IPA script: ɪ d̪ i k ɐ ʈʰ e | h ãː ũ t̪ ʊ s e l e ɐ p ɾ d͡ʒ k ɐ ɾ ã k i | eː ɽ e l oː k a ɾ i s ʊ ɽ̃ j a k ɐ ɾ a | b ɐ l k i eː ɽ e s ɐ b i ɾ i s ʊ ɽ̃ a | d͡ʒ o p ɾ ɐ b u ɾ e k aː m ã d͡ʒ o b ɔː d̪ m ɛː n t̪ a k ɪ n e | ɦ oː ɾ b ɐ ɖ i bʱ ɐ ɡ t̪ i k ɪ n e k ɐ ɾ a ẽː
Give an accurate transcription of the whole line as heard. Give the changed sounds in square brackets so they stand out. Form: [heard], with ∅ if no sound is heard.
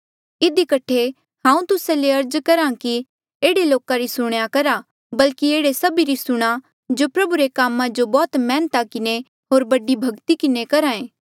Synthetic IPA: ɪ d̪ i k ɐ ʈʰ e | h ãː ũ t̪ ʊ s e l e ɐ [∅] ɾ d͡ʒ k ɐ ɾ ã k i | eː ɽ e l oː k a ɾ i s ʊ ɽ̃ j a k ɐ ɾ a | b ɐ l k i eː ɽ e s ɐ b i ɾ i s ʊ ɽ̃ a | d͡ʒ o p ɾ ɐ b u ɾ e k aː m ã d͡ʒ o b ɔː [t̪] m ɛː n t̪ a k ɪ n e | ɦ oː ɾ b ɐ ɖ i bʱ ɐ ɡ t̪ i k ɪ n e k ɐ ɾ a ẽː